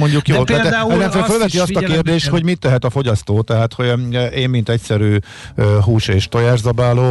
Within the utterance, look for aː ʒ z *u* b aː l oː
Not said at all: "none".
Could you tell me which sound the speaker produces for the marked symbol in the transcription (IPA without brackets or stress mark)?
ɒ